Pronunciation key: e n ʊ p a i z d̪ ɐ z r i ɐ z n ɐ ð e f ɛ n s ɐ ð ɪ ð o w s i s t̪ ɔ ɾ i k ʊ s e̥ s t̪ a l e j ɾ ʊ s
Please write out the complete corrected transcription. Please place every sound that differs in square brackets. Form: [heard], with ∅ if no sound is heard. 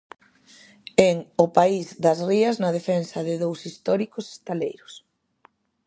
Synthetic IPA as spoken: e [ŋ] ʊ p a i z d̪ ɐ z r i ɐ z n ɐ ð e f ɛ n s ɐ ð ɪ ð o w s i s t̪ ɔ ɾ i k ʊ s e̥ s t̪ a l e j ɾ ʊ s